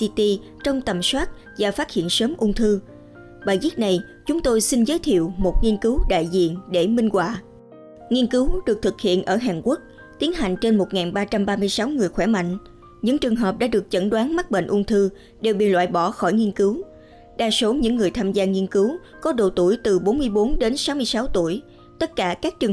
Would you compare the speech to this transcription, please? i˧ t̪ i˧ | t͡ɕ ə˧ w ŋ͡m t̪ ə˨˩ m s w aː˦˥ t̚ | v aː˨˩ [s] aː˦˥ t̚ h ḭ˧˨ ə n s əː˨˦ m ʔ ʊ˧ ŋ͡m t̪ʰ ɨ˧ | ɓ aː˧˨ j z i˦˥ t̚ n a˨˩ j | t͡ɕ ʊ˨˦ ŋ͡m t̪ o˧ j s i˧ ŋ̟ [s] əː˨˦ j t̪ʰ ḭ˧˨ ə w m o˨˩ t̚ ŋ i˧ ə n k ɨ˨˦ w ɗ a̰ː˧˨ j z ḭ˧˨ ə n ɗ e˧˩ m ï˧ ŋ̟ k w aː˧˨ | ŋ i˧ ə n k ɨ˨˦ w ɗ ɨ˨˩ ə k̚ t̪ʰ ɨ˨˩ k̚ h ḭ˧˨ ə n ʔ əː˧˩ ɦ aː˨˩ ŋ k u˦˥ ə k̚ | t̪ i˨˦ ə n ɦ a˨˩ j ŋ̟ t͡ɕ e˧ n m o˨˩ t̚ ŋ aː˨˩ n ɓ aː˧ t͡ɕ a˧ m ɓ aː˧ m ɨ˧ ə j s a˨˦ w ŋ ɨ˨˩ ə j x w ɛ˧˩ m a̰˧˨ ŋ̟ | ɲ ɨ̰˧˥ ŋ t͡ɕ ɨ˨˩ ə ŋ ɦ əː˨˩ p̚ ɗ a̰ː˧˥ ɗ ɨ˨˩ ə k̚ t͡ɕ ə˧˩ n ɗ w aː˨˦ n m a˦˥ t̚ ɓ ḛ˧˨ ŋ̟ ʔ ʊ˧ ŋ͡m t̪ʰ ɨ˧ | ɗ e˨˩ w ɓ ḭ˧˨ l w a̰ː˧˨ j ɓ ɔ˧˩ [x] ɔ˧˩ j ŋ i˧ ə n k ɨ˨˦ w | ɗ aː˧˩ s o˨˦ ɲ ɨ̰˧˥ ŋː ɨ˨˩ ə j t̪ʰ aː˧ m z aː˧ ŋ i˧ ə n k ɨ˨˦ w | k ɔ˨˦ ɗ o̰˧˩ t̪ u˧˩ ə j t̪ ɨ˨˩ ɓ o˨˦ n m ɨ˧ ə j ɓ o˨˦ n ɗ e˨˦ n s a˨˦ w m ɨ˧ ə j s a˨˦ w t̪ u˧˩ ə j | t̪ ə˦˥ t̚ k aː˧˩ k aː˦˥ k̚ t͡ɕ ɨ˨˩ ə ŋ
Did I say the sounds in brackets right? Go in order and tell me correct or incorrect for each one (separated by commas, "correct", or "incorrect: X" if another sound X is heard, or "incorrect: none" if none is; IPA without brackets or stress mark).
incorrect: f, incorrect: z, correct